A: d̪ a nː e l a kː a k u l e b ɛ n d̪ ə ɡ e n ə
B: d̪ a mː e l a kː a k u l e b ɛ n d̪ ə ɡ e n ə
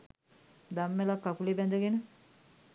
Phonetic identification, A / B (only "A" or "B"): B